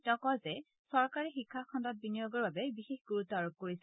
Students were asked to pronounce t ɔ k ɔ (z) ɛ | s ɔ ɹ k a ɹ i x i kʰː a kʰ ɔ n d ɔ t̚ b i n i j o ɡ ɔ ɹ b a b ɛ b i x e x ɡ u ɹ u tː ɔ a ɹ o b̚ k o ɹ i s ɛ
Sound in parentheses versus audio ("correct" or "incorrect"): correct